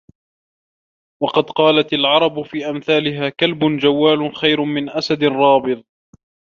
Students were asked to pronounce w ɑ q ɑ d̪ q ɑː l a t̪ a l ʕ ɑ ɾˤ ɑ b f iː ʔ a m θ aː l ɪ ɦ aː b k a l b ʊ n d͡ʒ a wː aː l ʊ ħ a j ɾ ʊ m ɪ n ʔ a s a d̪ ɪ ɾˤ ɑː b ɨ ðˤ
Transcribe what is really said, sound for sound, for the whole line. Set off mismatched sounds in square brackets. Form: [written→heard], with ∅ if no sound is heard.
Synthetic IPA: w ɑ q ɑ d̪ q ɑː l a t̪ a l ʕ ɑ ɾˤ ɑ b f iː ʔ a m θ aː l ɪ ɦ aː [b→∅] k a l b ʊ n d͡ʒ a wː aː l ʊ [ħ→x] a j ɾ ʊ m ɪ n ʔ a s a d̪ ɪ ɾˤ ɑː b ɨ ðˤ